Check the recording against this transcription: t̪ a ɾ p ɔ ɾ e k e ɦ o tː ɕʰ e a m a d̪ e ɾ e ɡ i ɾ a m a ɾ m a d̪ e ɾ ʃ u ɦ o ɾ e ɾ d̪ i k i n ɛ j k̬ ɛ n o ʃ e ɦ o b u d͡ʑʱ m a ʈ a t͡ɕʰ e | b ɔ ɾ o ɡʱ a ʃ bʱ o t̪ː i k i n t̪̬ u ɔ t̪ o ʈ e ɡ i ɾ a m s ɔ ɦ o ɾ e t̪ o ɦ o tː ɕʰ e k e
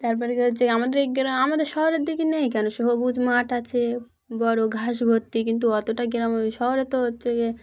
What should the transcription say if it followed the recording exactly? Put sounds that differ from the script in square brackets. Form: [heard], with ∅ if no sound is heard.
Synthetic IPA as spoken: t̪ a ɾ p ɔ ɾ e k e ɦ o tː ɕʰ e a m a d̪ e ɾ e ɡ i ɾ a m a [∅] m a d̪ e ɾ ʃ [ɔ] ɦ o ɾ e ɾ d̪ i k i n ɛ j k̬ ɛ n o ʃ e ɦ o b u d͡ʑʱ m a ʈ a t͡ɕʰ e | b ɔ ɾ o ɡʱ a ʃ bʱ o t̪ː i k i n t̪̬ u ɔ t̪ o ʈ [a] ɡ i ɾ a m [ʃ] ɔ ɦ o ɾ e t̪ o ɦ o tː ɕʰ e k e